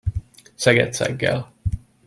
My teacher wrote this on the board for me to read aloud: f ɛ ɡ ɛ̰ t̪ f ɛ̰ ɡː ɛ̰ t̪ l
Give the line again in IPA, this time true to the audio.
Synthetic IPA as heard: s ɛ ɡ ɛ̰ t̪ s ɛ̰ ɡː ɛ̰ l